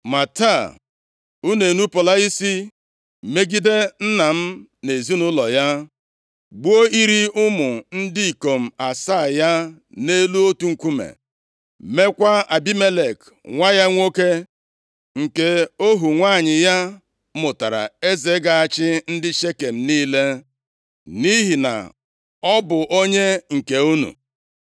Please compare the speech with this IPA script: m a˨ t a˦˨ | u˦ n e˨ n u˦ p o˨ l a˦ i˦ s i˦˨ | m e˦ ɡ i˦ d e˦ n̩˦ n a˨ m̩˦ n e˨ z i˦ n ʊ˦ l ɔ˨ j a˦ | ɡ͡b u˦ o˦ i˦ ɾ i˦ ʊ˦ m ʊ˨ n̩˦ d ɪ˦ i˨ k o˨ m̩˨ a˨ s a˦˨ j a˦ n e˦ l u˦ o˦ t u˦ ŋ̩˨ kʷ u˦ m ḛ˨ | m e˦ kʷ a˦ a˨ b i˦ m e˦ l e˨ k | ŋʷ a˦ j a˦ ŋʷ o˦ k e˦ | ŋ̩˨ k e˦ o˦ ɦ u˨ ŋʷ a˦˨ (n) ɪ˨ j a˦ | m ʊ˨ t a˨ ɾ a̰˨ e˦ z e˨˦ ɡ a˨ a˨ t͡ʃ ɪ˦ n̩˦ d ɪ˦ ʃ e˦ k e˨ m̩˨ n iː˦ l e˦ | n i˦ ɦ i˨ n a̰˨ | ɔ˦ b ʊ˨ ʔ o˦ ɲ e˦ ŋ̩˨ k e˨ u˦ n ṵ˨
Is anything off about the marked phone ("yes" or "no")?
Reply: yes